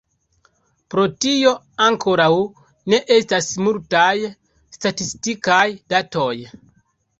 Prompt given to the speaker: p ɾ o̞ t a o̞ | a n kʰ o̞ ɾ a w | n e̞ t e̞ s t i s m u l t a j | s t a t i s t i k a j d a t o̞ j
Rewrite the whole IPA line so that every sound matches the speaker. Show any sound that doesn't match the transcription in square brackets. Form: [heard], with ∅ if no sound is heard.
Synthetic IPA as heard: p ɾ o̞ t [i] o̞ | a [ŋ] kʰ o̞ ɾ a w | n e̞ [ʔ] e̞ s t [a] s m u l t a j | s t a t i s t i k a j d a t o̞ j